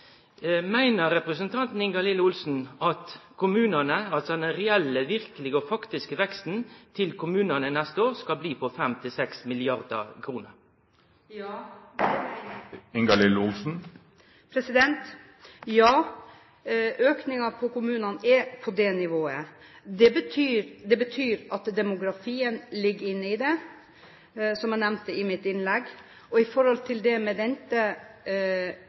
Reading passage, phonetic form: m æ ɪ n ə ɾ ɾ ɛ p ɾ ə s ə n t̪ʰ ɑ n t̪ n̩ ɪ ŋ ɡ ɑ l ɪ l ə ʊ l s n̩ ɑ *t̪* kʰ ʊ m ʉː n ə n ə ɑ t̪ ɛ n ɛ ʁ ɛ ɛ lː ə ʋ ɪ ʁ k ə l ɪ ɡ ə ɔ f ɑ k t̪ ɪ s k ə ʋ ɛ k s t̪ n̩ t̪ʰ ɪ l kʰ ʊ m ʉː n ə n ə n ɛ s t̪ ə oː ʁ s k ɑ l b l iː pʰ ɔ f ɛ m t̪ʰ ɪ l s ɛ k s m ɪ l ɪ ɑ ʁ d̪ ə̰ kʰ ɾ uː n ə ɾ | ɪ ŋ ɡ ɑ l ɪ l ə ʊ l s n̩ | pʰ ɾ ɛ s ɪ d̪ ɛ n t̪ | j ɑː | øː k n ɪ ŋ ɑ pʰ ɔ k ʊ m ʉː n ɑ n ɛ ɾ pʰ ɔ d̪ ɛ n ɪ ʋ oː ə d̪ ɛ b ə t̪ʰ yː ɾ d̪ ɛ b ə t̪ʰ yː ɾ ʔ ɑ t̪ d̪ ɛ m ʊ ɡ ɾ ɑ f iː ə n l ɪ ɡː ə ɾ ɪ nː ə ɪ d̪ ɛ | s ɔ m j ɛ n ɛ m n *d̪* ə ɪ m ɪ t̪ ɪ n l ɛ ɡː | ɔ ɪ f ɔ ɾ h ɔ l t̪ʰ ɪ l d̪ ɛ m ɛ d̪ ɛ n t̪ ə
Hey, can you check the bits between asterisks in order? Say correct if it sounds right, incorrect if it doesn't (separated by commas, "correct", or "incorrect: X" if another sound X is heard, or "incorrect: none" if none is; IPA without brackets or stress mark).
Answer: correct, incorrect: t̪